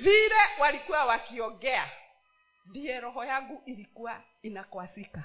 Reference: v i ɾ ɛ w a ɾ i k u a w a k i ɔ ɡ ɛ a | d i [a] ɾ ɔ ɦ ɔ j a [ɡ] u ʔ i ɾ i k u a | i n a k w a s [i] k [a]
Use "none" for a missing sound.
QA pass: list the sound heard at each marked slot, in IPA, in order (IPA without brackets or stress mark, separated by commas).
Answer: ɛ, ɡ, i, a